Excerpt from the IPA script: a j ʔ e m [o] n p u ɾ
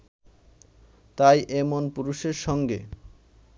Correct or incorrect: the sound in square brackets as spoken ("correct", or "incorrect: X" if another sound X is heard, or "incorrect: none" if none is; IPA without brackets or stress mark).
correct